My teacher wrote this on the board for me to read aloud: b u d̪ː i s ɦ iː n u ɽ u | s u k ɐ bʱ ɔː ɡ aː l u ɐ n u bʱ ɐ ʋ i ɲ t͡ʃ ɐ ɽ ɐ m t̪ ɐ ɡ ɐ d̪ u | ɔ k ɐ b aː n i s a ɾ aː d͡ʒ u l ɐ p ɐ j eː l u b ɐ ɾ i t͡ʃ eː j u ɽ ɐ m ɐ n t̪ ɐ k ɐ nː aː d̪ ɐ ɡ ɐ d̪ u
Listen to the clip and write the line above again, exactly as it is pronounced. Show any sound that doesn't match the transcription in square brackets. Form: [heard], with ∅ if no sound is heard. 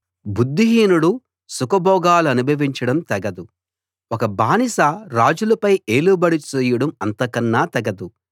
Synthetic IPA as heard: b u d̪ː i [∅] ɦ iː n u ɽ u | s u k ɐ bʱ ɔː ɡ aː l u ɐ n u bʱ ɐ ʋ i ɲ t͡ʃ ɐ ɽ ɐ m t̪ ɐ ɡ ɐ d̪ u | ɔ k ɐ b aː n i s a ɾ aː d͡ʒ u l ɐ p ɐ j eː l u b ɐ [ɽ] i t͡ʃ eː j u ɽ ɐ m ɐ n t̪ ɐ k ɐ nː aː [t̪] ɐ ɡ ɐ d̪ u